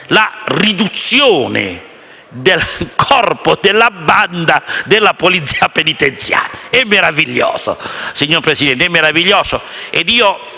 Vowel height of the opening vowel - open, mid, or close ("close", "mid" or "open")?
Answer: open